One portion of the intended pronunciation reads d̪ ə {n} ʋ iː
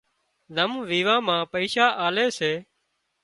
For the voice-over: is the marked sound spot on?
no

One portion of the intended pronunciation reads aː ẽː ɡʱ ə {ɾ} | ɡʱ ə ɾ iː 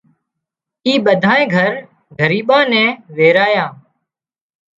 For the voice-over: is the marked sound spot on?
yes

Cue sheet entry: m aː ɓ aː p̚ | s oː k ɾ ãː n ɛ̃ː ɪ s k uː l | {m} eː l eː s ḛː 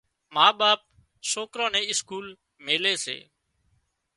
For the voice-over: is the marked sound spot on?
yes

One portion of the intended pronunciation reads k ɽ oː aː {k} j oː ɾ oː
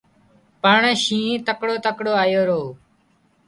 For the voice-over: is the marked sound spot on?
no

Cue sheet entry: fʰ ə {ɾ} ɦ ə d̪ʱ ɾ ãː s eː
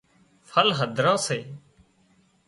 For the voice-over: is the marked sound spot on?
no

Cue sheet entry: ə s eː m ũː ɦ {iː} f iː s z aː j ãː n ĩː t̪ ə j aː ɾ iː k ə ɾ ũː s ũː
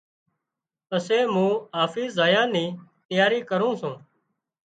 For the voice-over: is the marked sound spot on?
no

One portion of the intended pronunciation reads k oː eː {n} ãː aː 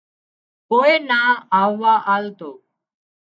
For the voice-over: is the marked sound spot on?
yes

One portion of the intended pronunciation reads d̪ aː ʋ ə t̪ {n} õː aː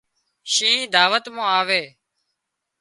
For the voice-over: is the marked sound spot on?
no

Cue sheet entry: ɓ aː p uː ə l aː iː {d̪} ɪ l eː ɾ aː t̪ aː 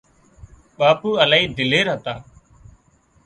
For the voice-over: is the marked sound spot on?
yes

